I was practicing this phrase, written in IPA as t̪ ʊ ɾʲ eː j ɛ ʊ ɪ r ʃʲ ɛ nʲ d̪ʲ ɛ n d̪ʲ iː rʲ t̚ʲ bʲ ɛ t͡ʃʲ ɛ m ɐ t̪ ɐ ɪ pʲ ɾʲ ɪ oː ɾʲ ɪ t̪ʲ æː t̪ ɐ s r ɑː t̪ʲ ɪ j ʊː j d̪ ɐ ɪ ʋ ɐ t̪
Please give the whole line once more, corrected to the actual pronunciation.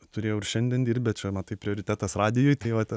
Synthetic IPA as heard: t̪ ʊ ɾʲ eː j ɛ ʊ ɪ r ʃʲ ɛ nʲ d̪ʲ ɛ n d̪ʲ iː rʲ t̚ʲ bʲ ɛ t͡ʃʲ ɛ m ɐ t̪ ɐ ɪ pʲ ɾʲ ɪ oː ɾʲ ɪ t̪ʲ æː t̪ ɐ s r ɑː d̪ʲ ɪ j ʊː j t̪ ɐ ɪ ʋ ɐ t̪